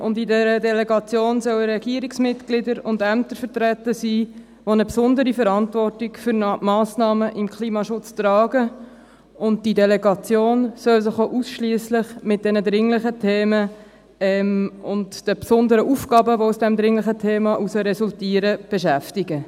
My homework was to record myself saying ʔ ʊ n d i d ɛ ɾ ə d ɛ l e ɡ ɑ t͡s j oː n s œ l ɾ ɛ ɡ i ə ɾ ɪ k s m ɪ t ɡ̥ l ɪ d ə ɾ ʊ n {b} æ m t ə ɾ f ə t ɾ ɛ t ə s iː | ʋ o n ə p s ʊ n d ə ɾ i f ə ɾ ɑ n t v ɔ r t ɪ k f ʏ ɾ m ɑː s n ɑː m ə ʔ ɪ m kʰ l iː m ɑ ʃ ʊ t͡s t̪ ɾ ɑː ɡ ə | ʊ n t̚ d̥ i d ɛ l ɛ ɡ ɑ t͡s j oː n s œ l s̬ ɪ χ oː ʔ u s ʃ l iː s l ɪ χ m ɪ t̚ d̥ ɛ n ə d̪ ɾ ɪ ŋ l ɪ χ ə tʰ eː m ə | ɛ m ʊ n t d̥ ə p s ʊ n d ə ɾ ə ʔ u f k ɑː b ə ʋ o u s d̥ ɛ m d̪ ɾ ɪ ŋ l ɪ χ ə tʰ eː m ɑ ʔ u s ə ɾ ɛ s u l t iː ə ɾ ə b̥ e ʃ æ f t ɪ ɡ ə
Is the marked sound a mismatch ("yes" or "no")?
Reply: yes